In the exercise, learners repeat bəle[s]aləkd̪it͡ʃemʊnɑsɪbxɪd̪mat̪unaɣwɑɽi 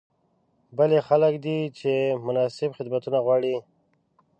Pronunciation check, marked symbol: incorrect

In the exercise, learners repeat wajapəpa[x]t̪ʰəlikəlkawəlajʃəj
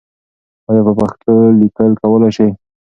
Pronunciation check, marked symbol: correct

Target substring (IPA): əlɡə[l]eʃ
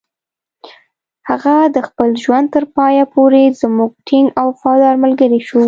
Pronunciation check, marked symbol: incorrect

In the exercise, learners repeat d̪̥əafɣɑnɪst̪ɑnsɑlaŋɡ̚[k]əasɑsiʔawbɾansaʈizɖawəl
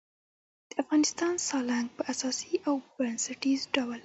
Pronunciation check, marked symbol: incorrect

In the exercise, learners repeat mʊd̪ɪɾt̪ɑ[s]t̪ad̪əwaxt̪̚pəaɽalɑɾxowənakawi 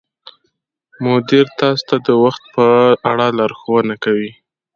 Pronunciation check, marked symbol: correct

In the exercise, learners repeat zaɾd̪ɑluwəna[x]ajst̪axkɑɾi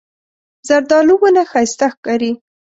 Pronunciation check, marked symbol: correct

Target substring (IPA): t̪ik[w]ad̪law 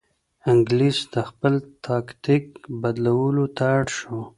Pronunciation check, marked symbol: incorrect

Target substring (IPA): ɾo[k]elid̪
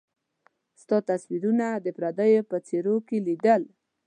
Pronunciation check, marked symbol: correct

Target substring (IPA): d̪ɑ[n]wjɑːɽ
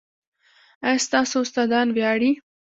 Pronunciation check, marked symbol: correct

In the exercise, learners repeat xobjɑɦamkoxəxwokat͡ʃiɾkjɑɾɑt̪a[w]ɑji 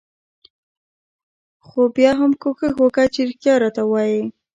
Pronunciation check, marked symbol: correct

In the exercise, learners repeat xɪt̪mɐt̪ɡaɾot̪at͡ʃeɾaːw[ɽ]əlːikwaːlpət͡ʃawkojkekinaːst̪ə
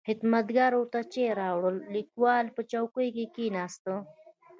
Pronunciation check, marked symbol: correct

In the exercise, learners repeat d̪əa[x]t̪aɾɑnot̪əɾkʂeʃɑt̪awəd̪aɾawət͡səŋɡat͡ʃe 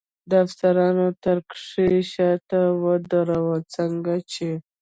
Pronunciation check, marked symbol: incorrect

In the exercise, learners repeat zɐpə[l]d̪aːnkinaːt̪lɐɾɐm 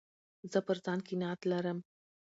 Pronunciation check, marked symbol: incorrect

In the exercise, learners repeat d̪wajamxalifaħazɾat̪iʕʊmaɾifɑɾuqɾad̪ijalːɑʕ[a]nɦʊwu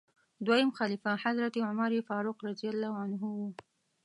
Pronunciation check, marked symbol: correct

